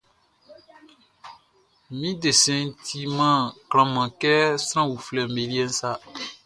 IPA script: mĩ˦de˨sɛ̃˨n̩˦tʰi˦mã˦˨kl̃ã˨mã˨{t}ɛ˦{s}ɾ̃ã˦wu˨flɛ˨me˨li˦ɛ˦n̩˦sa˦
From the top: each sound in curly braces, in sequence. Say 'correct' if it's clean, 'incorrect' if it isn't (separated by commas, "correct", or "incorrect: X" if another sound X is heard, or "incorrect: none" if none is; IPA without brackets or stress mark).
incorrect: k, correct